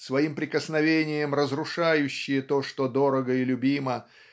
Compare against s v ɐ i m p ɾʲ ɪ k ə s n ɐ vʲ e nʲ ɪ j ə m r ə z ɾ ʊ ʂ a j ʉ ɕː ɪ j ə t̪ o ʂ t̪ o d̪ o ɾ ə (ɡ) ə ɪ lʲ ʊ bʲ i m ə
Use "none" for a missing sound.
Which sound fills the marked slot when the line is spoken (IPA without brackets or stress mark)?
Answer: ɡ